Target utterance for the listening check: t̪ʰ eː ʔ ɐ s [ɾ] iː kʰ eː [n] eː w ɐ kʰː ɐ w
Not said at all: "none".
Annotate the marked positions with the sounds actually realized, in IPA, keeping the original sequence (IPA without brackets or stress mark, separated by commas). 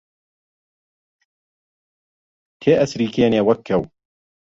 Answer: ɾ, n